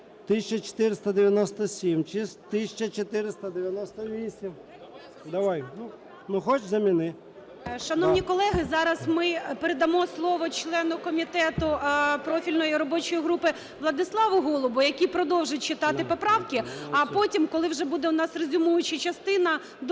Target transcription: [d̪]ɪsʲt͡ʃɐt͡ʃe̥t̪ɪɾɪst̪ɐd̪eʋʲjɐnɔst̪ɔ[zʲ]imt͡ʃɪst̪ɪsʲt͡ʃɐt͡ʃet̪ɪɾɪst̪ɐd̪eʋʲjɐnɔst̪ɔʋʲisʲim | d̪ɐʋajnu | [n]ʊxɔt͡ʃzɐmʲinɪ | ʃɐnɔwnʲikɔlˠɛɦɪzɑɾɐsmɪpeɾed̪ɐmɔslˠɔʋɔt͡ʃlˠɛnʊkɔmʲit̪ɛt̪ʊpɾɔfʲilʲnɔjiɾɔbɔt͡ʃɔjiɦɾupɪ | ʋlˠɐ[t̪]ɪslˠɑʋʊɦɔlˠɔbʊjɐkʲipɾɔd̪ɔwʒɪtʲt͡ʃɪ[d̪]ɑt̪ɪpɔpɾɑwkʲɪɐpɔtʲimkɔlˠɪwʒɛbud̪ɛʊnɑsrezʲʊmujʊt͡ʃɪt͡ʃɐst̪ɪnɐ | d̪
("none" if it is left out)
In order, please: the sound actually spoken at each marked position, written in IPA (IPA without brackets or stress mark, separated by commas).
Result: t̪, sʲ, n, d̪, t̪